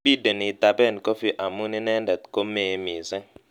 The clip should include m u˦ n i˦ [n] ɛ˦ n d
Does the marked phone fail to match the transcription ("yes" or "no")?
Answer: no